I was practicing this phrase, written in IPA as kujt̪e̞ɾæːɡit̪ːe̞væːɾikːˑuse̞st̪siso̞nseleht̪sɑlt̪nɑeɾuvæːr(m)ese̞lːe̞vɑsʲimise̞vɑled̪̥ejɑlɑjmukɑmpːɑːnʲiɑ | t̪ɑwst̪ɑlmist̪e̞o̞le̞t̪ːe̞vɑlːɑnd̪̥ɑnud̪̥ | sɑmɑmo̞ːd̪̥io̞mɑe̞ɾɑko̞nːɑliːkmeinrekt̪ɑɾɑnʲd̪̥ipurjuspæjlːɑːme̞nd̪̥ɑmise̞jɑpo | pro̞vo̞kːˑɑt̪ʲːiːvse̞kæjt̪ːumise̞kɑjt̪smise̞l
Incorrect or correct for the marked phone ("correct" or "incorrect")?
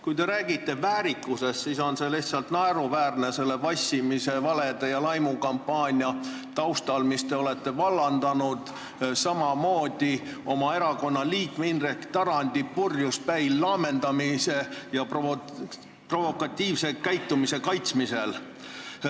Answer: incorrect